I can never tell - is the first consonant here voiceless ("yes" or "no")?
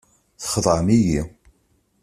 yes